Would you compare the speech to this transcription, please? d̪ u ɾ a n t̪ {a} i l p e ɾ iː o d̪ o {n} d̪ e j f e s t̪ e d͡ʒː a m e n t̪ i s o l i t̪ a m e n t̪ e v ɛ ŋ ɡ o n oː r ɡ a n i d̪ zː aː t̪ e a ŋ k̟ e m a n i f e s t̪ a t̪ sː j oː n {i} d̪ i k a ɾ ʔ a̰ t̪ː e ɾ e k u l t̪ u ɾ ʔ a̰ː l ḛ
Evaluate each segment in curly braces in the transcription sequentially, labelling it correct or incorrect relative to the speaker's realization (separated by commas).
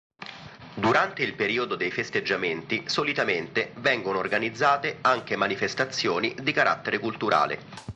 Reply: incorrect, incorrect, correct